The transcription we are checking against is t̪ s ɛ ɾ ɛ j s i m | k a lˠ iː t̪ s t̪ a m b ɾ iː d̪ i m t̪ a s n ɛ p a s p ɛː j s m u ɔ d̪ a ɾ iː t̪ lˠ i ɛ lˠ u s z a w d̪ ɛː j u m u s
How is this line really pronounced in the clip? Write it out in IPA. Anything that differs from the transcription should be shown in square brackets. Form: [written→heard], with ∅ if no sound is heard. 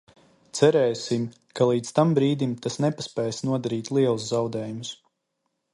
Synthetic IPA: t̪ s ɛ ɾ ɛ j s i m | k a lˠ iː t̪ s t̪ a m b ɾ iː d̪ i m t̪ a s n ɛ p a s p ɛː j s [m→n] u ɔ d̪ a ɾ iː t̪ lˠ i ɛ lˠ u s z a w d̪ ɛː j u m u s

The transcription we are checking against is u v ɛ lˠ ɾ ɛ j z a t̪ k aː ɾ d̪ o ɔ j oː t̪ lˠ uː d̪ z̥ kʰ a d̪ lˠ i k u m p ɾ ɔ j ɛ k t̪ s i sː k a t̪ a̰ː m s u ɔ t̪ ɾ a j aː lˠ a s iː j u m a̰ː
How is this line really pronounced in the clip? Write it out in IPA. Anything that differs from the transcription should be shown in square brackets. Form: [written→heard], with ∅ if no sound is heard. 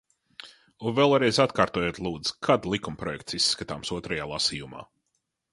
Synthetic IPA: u v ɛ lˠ ɾ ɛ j z a t̪ k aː ɾ [d̪→t̪] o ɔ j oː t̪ lˠ uː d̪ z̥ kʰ a d̪ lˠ i k u m p ɾ ɔ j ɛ k t̪ s i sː k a t̪ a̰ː m s u ɔ t̪ ɾ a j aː lˠ a s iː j u m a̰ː

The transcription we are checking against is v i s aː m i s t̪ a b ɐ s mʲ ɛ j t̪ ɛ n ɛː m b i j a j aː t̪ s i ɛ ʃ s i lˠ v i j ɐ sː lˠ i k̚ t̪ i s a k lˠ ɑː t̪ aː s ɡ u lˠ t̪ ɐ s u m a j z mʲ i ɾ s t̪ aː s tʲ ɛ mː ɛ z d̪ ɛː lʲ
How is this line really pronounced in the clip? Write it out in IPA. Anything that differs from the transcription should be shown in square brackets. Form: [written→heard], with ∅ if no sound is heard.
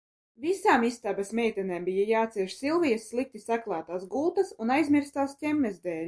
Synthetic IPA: v i s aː m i s t̪ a b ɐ s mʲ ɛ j t̪ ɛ n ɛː m b i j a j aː t̪ s i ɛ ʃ s i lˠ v i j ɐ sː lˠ i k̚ t̪ i s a k lˠ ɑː t̪ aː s ɡ u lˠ t̪ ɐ s u [m→n] a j z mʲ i ɾ s t̪ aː s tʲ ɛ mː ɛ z d̪ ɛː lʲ

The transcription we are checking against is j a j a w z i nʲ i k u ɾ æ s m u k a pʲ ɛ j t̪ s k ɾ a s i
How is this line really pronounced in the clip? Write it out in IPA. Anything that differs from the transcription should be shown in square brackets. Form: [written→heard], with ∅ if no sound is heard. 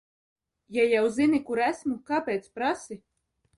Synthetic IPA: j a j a w z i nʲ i k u ɾ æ s m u k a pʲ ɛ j t̪ s [k→p] ɾ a s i

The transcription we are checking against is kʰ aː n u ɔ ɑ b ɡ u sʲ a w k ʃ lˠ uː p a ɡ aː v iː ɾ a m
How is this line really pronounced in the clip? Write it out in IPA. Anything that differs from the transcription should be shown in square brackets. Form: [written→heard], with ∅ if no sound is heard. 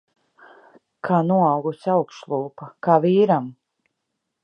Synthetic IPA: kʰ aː n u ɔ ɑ [b→w] ɡ u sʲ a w k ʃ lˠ uː p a [ɡ→k] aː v iː ɾ a m

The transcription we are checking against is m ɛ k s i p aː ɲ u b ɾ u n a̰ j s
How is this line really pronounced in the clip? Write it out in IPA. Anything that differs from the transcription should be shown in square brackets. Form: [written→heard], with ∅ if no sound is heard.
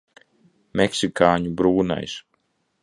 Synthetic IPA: m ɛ k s i [p→k] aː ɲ u b ɾ [u→uː] n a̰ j s

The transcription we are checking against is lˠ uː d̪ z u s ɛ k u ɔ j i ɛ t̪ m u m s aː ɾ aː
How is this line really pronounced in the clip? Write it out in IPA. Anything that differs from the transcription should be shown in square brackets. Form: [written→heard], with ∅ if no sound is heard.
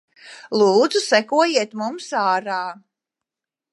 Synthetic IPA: lˠ uː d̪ z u s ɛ k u ɔ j i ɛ t̪ m u m s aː ɾ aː

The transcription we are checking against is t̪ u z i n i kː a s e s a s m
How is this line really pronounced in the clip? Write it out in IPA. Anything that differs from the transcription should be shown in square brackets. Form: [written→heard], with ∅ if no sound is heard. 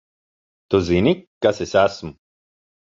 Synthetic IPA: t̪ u z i n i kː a s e s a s m

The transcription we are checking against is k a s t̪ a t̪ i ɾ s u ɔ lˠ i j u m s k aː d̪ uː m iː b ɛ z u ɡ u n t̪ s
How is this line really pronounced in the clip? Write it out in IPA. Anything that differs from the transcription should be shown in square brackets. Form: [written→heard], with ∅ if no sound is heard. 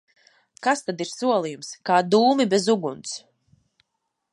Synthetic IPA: k a s t̪ a [t̪→d̪] i ɾ s u ɔ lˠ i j u m s k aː d̪ uː m [iː→i] b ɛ z u ɡ u n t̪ s

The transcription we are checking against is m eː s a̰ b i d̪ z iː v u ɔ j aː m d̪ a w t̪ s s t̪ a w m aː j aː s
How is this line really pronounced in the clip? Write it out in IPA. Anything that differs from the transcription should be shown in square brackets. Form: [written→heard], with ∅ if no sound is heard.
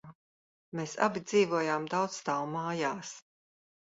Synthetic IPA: m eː s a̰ b i d̪ z iː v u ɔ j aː m d̪ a w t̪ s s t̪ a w m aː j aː s

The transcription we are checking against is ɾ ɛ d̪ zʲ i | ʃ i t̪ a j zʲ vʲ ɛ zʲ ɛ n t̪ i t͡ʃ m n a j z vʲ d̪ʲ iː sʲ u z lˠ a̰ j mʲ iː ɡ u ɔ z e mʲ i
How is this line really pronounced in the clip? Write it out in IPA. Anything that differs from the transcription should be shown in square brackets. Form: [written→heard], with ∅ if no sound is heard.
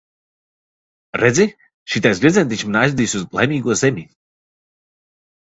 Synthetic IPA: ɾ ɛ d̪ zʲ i | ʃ i t̪ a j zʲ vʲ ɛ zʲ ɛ n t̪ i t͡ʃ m n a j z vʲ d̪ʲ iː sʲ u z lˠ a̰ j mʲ iː ɡ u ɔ z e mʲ i

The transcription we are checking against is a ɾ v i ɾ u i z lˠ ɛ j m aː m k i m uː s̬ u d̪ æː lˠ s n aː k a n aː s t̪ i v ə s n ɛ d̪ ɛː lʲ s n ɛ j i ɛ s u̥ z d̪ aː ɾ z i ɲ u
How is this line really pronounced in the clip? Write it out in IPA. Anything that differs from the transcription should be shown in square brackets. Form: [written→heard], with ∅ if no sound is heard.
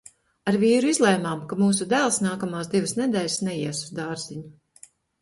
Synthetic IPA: a ɾ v [i→iː] ɾ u i z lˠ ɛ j m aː m k [i→a] m uː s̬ u d̪ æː lˠ s n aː k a [n→m] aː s [t̪→d̪] i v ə s n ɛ d̪ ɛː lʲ s n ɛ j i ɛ s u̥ z d̪ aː ɾ z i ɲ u

